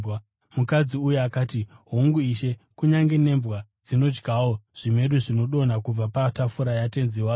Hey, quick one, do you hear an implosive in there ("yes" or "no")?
yes